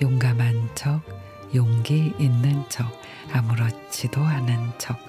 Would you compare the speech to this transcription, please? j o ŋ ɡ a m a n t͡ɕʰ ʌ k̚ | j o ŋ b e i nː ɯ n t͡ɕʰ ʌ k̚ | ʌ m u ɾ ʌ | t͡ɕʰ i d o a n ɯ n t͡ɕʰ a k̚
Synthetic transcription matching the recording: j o ŋ ɡ a m a n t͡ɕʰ ʌ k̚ | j o ŋ ɡ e i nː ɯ n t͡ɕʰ ʌ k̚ | a m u ɾ ʌ | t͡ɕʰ i d o a n ɯ n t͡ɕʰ ʌ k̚